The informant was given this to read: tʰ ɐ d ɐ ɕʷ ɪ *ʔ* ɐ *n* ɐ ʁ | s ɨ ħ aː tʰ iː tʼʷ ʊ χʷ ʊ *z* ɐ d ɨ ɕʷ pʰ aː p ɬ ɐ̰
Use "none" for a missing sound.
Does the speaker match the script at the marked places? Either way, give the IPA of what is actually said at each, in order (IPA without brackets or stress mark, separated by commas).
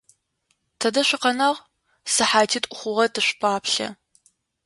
q, n, ʁ